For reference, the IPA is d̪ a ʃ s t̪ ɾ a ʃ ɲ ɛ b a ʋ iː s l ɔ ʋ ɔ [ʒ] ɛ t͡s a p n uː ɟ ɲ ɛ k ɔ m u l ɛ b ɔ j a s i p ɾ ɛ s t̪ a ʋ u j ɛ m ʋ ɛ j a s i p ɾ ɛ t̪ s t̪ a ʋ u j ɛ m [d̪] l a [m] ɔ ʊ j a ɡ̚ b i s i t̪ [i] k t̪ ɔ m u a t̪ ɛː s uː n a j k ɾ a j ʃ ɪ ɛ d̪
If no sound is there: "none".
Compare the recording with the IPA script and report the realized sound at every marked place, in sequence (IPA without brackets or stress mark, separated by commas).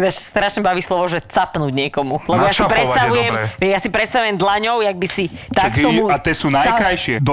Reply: ʒ, d̪, ɲ, a